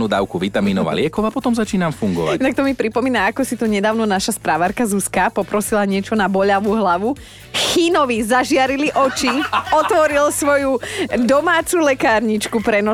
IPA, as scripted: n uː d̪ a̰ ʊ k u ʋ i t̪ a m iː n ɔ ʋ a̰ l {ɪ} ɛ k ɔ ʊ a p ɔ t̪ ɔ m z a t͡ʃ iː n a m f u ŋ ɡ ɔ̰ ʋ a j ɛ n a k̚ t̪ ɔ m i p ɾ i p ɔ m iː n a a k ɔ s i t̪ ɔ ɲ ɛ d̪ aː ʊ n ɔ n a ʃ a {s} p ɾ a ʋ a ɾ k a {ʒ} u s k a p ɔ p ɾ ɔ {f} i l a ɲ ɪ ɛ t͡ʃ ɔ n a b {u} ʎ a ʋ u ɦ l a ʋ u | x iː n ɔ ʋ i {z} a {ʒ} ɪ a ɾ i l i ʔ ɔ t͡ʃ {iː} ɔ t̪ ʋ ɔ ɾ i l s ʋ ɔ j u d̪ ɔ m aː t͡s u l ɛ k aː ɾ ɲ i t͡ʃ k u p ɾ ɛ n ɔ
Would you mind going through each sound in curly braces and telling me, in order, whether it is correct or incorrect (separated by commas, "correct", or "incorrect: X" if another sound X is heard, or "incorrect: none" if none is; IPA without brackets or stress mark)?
correct, correct, incorrect: z, incorrect: s, incorrect: ɔ, correct, correct, incorrect: i